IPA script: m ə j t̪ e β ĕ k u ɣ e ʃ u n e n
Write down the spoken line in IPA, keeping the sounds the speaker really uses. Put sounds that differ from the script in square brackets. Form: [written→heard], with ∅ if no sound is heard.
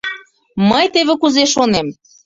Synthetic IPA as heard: m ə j t̪ e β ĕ k u [ɣ→z] e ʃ [u→o] n e [n→m]